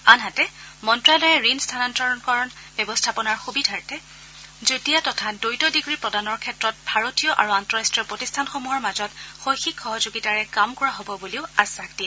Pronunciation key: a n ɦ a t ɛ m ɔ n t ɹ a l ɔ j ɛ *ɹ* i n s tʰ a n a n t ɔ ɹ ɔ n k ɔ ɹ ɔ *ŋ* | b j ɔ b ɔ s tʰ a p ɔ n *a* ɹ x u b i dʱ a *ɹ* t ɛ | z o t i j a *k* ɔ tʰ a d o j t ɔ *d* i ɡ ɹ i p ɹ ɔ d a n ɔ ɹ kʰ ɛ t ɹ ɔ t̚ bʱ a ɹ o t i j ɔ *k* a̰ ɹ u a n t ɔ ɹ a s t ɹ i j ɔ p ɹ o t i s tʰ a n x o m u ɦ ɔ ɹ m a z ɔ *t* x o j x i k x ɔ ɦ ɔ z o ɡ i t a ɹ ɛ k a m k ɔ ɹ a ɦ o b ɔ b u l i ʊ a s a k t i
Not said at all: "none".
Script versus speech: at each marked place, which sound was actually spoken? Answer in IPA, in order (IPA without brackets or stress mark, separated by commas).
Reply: ɹ, n, a, ɹ, t, d, ʔ, t